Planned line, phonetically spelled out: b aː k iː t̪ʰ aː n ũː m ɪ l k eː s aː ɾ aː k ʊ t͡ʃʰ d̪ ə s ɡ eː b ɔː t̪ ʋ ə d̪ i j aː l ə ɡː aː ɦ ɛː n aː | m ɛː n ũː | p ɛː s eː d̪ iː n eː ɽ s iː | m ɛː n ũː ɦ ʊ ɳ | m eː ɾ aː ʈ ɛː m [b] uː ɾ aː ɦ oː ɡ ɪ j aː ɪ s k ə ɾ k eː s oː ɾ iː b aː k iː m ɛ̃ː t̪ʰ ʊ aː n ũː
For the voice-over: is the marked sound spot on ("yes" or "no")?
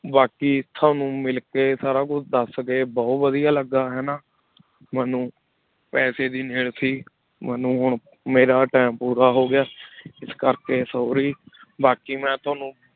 no